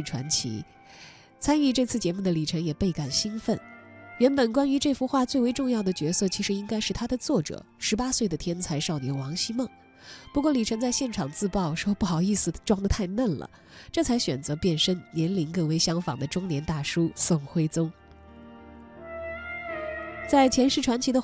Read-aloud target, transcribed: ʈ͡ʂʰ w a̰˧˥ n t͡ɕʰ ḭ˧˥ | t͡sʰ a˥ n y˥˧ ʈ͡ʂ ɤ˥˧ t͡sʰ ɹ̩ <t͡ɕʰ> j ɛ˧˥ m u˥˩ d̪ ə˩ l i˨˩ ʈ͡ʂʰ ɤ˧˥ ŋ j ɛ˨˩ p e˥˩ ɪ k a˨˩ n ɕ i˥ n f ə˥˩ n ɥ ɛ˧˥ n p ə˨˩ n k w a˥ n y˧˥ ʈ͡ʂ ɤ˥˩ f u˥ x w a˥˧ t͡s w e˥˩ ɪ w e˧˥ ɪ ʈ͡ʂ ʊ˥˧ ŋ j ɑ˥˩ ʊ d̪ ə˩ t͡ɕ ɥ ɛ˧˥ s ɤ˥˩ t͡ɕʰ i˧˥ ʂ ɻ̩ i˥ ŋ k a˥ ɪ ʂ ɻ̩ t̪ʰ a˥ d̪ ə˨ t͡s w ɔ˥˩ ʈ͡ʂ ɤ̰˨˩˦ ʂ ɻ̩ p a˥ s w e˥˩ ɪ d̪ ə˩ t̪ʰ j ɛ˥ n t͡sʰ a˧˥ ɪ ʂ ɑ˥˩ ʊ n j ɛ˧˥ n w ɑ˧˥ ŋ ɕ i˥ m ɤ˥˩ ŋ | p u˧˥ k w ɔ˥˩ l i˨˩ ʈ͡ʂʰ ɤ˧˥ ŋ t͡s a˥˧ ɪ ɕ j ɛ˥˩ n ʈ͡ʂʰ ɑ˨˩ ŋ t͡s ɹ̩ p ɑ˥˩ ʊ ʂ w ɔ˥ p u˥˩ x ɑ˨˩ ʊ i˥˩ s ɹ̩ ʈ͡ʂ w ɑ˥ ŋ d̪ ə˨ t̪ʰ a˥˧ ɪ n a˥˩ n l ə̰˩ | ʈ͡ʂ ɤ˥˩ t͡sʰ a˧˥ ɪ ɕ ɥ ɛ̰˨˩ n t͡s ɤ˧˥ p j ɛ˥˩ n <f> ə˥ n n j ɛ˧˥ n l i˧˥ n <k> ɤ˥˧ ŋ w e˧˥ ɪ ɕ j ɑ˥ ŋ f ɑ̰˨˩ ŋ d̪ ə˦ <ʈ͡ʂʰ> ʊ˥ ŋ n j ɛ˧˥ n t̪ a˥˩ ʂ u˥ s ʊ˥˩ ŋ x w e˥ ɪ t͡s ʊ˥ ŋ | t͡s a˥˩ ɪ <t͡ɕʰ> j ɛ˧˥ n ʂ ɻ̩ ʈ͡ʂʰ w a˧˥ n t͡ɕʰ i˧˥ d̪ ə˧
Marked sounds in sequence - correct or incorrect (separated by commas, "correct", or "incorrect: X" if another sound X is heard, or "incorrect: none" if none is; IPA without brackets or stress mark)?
incorrect: t͡ɕ, incorrect: ʂ, correct, incorrect: ʈ͡ʂ, correct